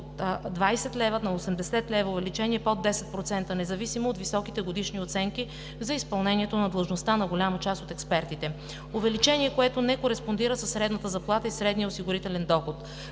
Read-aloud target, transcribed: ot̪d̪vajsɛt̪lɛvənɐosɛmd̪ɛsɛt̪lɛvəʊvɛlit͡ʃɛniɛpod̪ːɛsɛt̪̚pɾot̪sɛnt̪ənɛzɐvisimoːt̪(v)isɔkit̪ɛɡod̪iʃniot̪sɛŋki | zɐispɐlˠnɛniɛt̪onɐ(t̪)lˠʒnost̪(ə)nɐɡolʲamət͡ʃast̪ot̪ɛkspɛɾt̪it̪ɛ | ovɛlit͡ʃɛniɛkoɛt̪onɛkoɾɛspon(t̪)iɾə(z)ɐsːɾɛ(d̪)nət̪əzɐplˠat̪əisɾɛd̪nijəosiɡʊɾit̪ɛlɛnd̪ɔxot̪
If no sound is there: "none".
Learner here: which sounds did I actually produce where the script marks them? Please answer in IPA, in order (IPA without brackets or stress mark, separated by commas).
v, d̪, a, d̪, s, d̪